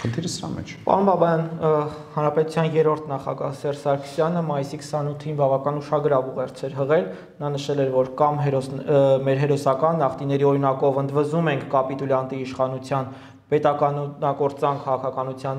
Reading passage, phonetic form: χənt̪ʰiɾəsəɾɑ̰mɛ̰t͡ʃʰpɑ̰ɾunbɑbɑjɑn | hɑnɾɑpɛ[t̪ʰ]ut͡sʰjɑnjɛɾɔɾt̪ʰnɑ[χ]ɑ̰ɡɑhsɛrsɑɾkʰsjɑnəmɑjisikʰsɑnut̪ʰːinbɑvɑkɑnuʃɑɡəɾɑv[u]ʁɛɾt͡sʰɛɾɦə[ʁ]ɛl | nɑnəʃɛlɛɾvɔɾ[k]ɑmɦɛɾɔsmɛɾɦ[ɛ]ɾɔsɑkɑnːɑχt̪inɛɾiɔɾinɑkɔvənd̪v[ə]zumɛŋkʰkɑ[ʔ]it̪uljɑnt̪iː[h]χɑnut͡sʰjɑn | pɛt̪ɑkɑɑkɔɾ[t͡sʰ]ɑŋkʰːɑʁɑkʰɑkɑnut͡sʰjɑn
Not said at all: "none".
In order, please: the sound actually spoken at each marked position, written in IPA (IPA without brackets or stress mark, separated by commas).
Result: t̪, χ, u, ʁ, k, ɛ, ə, p, ʃ, t͡s